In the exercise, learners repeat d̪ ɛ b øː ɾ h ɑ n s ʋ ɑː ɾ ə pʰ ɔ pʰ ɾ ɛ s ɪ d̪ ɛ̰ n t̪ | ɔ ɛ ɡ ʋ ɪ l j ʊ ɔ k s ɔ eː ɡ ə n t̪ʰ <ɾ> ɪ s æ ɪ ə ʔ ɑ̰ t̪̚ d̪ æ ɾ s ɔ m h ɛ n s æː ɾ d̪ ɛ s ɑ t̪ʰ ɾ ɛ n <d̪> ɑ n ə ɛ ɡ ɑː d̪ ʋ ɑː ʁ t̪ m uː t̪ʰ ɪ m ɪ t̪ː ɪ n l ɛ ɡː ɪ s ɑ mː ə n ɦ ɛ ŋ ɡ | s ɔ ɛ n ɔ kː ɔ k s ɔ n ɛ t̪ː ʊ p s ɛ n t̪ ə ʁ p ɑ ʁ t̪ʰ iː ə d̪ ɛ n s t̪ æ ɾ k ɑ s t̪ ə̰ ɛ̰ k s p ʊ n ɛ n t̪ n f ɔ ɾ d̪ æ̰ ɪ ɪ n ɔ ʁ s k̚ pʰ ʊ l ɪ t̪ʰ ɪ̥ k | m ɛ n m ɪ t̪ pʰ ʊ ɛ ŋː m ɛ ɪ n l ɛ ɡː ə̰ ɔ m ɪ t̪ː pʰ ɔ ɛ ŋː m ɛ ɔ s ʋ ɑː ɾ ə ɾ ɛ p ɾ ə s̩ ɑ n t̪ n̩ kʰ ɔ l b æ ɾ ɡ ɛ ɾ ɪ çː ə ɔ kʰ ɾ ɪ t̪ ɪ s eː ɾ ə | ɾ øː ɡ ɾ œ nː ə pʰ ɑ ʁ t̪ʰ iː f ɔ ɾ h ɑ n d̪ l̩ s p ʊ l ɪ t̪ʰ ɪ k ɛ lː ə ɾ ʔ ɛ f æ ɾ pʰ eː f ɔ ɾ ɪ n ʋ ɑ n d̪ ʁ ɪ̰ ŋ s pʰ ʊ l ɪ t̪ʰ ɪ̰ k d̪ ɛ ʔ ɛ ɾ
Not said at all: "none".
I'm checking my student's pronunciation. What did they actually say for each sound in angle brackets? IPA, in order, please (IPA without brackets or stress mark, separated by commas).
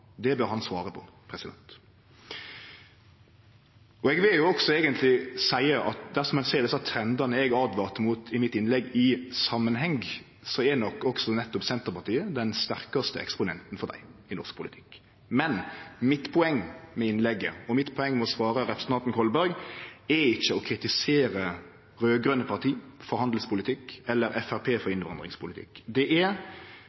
l, d̪